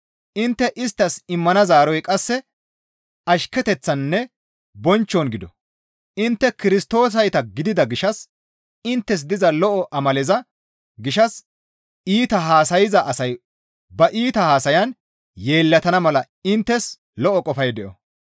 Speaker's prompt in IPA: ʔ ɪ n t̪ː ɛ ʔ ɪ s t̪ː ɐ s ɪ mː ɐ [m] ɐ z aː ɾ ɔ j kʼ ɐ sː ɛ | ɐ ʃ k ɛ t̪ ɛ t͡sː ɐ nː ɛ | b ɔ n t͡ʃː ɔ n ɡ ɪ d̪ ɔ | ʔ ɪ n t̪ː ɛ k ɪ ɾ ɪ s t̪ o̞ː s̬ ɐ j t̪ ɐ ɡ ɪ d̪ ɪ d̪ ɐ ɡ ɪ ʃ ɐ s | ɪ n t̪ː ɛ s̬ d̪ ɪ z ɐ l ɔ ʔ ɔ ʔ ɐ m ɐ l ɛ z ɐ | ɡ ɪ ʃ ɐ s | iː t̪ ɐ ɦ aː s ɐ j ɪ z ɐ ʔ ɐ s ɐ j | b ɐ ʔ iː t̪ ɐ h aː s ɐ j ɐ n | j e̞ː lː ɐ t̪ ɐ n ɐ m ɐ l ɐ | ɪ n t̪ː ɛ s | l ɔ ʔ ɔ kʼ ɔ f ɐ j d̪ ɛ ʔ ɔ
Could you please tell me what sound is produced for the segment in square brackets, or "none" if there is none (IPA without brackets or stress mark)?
n